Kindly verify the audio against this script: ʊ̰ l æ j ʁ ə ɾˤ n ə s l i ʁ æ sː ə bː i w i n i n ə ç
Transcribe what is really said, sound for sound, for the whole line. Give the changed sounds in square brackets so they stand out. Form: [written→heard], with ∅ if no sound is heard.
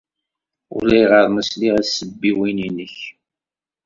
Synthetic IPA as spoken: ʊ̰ l æ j ʁ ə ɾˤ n ə s l i ʁ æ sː ə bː i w i n i n ə ç